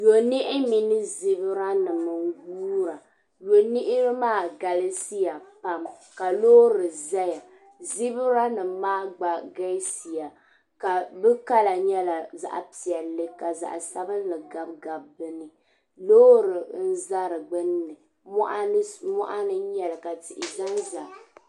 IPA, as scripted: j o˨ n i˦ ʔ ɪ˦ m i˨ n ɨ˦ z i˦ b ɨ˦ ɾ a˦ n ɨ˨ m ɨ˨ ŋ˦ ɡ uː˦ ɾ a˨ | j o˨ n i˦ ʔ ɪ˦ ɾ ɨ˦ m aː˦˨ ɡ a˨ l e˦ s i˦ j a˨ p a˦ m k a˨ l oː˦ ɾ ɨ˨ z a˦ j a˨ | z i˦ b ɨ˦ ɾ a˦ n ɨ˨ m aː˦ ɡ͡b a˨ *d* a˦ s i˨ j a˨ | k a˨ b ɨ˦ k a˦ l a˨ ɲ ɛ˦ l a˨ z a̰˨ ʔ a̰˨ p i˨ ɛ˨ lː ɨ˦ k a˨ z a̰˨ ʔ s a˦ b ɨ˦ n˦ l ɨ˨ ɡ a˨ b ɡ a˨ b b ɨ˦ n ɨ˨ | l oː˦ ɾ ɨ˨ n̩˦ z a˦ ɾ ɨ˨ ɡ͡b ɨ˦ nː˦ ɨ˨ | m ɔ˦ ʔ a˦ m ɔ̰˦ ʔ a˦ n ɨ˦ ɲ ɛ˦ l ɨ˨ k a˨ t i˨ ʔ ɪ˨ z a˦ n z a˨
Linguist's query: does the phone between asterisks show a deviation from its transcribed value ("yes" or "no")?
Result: yes